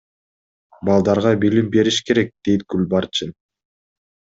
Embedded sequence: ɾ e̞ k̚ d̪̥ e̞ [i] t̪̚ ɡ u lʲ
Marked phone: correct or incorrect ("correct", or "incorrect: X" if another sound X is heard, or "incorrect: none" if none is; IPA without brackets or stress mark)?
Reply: incorrect: j